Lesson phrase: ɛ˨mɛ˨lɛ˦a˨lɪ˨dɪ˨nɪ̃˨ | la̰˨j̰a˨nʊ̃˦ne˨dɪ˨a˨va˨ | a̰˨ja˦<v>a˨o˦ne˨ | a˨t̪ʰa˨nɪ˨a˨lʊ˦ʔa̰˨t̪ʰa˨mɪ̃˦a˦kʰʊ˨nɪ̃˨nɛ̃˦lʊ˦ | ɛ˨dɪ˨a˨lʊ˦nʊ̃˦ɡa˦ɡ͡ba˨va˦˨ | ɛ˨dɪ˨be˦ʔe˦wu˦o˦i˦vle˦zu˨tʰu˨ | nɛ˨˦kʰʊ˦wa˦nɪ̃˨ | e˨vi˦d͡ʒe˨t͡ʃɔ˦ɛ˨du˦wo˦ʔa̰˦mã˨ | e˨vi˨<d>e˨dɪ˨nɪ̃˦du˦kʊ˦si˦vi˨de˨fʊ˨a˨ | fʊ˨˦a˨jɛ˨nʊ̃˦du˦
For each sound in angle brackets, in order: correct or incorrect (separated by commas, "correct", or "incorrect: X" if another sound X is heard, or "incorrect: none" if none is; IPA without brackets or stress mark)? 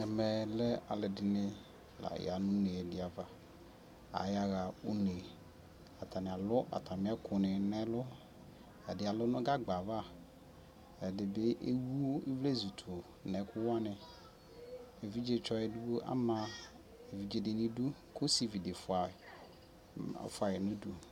incorrect: ɣ, incorrect: d͡ʒ